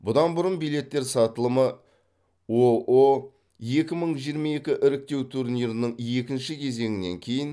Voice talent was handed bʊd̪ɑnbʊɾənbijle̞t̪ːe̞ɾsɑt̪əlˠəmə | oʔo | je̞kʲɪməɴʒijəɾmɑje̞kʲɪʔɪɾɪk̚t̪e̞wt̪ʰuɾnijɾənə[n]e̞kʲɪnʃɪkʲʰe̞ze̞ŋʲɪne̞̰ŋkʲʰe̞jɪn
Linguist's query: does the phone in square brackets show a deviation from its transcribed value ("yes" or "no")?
yes